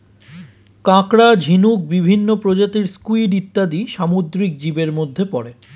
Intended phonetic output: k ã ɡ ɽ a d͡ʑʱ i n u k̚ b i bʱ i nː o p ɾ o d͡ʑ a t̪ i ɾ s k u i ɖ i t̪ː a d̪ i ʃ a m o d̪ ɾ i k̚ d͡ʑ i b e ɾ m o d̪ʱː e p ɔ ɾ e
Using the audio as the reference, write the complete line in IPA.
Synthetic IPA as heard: k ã k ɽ a d͡ʑʱ i n u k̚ b i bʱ i nː o p ɾ o d͡ʑ a t̪ i ɾ s k u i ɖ i t̪ː a d̪ i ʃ a m o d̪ ɾ i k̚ d͡ʑ i b e ɾ m o d̪ʱː e p ɔ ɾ e